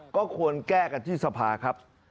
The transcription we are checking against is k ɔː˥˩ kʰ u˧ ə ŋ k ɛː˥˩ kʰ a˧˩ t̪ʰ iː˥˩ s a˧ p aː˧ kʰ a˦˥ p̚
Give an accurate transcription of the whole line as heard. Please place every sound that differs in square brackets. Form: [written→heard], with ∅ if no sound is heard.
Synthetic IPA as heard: k ɔː˥˩ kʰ u˧ ə [ŋ→n] k ɛː˥˩ [kʰ→k] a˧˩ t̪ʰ iː˥˩ s a˧ [p→pʰ] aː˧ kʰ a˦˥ p̚